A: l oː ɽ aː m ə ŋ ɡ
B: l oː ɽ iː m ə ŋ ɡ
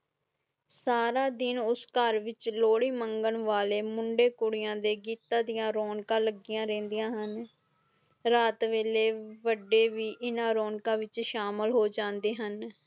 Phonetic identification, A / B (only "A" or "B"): B